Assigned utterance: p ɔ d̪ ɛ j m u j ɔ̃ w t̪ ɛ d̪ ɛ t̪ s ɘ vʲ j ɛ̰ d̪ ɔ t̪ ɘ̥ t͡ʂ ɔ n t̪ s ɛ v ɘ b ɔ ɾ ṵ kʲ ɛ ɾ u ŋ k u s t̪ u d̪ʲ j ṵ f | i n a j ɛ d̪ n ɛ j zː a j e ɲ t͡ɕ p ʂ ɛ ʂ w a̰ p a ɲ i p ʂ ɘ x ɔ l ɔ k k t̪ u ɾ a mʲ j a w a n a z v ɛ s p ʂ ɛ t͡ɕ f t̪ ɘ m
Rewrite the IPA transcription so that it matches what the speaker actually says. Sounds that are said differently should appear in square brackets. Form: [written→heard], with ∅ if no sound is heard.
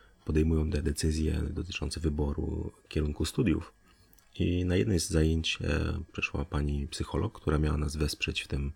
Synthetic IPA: p ɔ d̪ ɛ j m u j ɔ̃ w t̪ ɛ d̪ ɛ t̪ s ɘ [vʲ→zʲ] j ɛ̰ d̪ ɔ t̪ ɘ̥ t͡ʂ ɔ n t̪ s ɛ v ɘ b ɔ ɾ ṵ kʲ ɛ ɾ u ŋ k u s t̪ u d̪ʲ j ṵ f | i n a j ɛ d̪ n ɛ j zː a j e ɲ t͡ɕ p ʂ ɛ ʂ w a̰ p a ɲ i p [ʂ→s] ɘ x ɔ l ɔ k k t̪ u ɾ a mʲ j a w a n a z v ɛ s p ʂ ɛ t͡ɕ f t̪ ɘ m